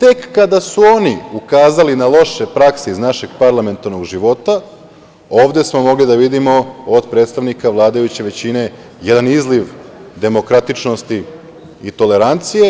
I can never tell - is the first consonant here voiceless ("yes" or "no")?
yes